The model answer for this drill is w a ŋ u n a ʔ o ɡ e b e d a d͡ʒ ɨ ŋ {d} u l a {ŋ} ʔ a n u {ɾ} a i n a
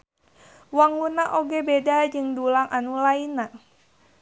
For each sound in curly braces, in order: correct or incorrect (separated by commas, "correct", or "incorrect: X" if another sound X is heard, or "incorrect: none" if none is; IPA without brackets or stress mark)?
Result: correct, correct, incorrect: l